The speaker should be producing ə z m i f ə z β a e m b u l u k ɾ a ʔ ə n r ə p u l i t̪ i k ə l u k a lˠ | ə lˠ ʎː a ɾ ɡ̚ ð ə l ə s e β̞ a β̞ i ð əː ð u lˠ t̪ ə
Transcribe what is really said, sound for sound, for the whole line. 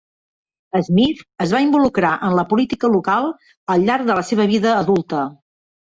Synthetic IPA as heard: ə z m i f ə z β a i m b u l u k ɾ a ʔ ə n l ə p u l i t̪ i k ə l u k a lˠ | ə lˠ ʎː a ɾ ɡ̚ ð ə l ə s e β̞ ə β̞ i ð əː ð u lˠ t̪ ə